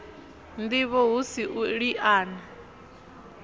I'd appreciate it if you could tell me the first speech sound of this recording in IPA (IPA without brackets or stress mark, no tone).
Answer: n